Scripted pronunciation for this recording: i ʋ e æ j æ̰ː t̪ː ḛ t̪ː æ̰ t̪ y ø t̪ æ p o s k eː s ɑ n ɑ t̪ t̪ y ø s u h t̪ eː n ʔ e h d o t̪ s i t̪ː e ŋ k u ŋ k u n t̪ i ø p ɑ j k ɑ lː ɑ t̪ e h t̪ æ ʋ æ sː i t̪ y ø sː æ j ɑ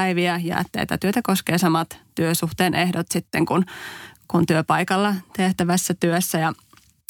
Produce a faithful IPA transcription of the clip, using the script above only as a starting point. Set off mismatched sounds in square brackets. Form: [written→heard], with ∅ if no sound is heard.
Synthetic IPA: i ʋ [e→i] æ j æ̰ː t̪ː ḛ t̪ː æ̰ t̪ y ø t̪ æ [p→k] o s k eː s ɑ [n→m] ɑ t̪ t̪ y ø s u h t̪ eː n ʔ e h d o t̪ s i t̪ː e ŋ k u [ŋ→n] k u n t̪ [i→y] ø p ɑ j k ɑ lː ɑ t̪ e h t̪ æ ʋ æ sː [i→æ] t̪ y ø sː æ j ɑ